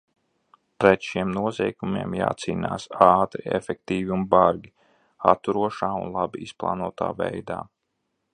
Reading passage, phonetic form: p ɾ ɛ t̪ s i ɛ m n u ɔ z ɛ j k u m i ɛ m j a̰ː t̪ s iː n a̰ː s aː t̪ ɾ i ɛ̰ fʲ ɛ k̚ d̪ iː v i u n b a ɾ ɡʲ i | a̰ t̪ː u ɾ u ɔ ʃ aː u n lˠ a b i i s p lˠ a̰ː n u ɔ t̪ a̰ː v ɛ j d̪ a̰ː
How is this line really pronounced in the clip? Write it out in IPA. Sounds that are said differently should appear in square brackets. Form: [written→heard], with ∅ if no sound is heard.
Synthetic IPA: p ɾ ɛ t̪ [s→ʃ] i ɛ m n u ɔ z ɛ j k u m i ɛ m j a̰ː t̪ s iː n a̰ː s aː t̪ ɾ i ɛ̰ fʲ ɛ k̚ [d̪→t̪] iː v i u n b a ɾ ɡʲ i | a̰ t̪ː u ɾ u ɔ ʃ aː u n lˠ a b i i s p lˠ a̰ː n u ɔ t̪ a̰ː v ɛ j d̪ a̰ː

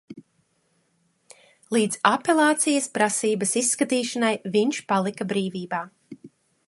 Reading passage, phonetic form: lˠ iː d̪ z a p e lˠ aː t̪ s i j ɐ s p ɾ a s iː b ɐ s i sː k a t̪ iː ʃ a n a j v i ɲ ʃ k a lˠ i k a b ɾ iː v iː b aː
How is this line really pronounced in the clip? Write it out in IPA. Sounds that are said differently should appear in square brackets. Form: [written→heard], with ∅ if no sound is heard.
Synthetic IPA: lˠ iː d̪ z a p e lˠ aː t̪ s i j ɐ s p ɾ a s iː b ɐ s i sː k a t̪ iː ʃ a n a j v i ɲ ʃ [k→p] a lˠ i k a b ɾ iː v iː b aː

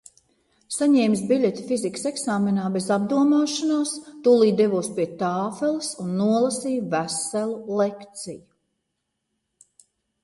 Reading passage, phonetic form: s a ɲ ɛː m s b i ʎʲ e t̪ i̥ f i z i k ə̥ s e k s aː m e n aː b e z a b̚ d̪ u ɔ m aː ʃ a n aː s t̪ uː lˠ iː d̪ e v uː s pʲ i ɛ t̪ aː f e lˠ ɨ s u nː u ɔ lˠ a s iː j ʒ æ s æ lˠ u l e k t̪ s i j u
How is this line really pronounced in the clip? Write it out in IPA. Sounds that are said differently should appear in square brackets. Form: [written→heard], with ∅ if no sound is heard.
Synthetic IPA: s a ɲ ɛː m s b i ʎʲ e t̪ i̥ f i z i k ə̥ s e k s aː m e n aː b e z a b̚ d̪ u ɔ m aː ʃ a n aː s t̪ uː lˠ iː d̪ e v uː s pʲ i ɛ t̪ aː f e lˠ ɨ s u nː u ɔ lˠ a s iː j [ʒ→v] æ s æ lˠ u l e k t̪ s i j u

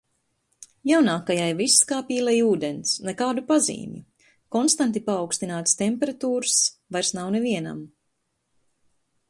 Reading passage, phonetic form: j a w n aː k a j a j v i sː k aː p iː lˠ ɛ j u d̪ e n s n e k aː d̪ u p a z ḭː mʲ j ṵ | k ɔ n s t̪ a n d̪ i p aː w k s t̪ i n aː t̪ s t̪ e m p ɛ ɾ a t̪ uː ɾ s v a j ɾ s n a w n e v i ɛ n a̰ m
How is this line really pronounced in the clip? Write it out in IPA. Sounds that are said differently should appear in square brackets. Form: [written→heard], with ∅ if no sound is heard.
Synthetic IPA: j a w n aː k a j a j v i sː k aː p iː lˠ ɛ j [u→uː] d̪ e n s n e k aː d̪ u p a z ḭː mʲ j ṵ | k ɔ n s t̪ a n [d̪→t̪] i p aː w k s t̪ i n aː t̪ s t̪ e m p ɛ ɾ a t̪ uː ɾ s v a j ɾ s n a w n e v i ɛ n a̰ m

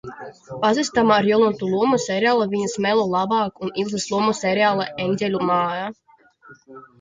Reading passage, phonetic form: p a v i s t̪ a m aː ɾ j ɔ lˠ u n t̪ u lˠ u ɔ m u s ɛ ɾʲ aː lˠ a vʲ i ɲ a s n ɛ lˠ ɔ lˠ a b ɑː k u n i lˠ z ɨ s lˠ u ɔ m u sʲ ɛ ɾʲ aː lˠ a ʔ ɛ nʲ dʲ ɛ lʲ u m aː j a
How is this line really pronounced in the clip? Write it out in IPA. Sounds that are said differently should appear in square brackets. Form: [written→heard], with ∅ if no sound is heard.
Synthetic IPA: p a [v→z] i s t̪ a m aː ɾ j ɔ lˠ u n t̪ u lˠ u ɔ m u s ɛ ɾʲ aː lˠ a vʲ i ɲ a s [n→m] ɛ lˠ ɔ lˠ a b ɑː k u n i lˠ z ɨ s lˠ u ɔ m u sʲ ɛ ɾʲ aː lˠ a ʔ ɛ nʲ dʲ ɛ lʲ u m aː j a

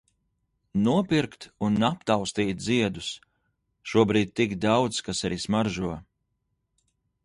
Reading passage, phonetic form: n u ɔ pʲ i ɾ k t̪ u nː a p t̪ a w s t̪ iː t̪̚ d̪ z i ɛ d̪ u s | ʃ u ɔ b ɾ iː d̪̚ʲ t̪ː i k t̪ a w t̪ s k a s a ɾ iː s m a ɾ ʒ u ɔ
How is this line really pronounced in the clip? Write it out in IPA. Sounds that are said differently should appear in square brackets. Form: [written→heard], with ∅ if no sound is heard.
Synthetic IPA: n u ɔ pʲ i ɾ k t̪ u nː a p t̪ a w s t̪ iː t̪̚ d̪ z i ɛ d̪ u s | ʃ u ɔ b ɾ iː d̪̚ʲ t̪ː i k [t̪→d̪] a w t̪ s k a s a ɾ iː s m a ɾ ʒ u ɔ

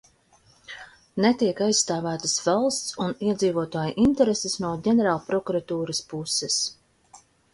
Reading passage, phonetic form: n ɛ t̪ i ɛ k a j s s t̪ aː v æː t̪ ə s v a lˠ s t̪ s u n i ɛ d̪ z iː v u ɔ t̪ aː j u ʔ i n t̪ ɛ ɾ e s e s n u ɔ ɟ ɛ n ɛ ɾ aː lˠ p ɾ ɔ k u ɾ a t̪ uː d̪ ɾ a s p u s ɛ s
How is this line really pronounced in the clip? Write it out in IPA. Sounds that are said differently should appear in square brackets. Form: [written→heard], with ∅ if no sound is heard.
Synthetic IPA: n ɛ t̪ i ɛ k a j s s t̪ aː v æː t̪ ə s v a lˠ s t̪ s u n i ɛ d̪ z iː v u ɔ t̪ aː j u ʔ i n t̪ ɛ ɾ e s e s n u ɔ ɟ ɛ n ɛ ɾ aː lˠ p ɾ ɔ k u ɾ a t̪ uː [d̪→∅] ɾ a s p u s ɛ s

